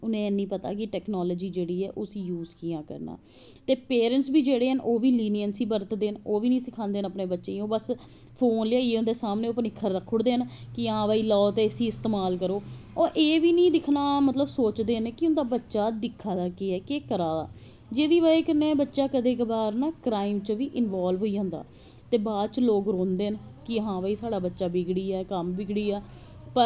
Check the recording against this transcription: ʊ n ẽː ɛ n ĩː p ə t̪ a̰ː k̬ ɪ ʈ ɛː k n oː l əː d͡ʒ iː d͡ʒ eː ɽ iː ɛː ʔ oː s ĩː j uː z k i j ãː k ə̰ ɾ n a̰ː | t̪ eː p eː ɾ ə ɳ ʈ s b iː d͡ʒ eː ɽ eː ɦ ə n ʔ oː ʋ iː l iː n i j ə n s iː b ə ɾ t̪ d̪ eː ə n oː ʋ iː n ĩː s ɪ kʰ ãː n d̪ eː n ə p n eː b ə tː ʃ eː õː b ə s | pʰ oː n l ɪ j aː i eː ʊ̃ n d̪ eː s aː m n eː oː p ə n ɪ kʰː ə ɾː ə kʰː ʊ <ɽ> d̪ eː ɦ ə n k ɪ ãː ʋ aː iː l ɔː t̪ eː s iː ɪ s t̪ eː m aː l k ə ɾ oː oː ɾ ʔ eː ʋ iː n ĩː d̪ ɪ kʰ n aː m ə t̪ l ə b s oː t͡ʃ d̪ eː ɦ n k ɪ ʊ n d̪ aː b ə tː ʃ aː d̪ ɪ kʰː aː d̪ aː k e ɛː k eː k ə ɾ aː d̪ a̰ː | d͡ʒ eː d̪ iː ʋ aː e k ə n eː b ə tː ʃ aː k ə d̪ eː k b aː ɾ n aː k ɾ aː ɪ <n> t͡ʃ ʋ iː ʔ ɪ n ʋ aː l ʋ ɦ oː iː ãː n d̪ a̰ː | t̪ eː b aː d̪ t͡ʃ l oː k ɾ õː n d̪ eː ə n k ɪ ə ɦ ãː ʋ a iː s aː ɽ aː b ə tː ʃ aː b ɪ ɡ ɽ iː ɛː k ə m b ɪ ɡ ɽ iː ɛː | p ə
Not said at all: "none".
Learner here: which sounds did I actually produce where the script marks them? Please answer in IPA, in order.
ɽ, m

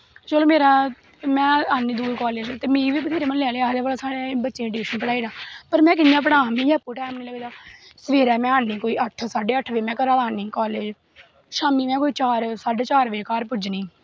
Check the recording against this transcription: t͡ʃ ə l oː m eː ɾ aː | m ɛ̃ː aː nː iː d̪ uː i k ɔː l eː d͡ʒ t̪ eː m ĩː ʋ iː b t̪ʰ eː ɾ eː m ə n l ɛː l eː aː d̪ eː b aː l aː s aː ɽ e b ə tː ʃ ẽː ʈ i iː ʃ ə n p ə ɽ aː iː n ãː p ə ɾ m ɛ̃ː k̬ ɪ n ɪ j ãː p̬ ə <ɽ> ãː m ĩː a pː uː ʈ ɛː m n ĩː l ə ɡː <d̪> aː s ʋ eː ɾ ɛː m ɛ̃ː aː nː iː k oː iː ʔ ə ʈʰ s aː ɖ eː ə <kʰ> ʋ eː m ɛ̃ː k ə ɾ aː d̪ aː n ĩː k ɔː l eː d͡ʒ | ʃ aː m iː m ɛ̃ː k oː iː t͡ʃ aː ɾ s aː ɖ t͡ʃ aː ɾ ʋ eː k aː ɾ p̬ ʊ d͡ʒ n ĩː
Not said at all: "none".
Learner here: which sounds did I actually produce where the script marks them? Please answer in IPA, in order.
ɽ, d̪, ʈʰ

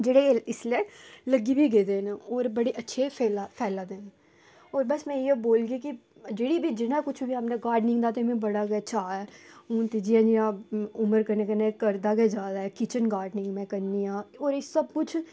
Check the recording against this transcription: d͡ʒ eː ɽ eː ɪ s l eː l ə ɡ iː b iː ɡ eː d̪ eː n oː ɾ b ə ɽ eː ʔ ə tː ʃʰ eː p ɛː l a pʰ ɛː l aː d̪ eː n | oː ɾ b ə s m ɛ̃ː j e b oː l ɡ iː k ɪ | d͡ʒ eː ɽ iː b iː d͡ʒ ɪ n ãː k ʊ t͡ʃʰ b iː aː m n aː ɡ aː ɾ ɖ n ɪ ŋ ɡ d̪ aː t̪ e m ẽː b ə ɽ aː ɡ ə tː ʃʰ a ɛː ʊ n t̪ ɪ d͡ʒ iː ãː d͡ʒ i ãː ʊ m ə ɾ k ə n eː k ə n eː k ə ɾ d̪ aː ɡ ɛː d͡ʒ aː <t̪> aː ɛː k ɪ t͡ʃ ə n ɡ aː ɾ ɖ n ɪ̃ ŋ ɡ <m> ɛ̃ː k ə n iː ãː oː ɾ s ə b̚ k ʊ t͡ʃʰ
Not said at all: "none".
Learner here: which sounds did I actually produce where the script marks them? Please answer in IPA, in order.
d̪, m

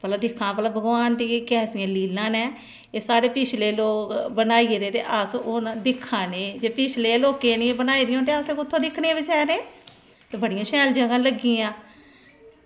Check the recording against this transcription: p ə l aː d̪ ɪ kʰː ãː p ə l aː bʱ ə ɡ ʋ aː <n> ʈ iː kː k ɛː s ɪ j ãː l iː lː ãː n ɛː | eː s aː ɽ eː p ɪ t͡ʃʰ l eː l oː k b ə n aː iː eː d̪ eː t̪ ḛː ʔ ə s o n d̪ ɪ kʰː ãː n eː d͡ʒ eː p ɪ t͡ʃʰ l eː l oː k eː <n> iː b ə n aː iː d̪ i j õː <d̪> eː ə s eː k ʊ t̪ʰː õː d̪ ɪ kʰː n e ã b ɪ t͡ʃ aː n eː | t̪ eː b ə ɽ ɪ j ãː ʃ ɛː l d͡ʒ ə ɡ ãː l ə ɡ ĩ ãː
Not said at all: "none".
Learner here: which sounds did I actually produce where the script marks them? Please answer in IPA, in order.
n, n, t̪

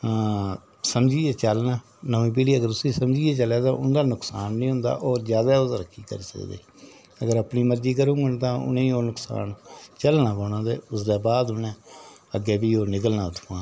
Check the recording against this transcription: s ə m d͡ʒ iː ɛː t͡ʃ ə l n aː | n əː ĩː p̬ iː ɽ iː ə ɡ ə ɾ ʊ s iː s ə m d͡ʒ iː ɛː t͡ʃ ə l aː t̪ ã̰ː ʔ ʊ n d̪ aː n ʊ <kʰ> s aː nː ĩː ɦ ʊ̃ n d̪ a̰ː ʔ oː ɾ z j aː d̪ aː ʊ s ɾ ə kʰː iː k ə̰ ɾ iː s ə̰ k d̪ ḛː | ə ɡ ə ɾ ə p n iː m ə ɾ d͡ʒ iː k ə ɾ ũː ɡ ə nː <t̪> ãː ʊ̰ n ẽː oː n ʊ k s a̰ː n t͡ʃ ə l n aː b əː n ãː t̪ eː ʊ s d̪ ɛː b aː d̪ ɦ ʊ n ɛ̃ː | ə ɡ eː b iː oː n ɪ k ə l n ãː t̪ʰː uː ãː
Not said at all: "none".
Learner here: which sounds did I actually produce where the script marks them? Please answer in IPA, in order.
k, t̪

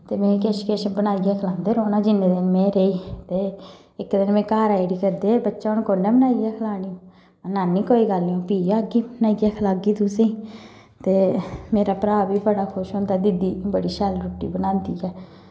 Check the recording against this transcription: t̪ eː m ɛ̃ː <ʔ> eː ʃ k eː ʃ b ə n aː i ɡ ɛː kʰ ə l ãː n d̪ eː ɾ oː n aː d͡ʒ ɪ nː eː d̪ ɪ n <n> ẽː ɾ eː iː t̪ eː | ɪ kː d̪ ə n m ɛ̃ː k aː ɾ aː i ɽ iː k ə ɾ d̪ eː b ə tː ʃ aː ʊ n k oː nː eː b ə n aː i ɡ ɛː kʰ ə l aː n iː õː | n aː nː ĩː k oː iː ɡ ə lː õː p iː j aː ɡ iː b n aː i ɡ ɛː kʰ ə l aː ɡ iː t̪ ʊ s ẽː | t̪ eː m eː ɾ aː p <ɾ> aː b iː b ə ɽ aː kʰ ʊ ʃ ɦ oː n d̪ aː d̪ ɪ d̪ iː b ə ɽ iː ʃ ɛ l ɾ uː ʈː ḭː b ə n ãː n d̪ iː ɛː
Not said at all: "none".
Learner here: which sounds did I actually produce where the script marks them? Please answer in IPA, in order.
k, m, ɾ

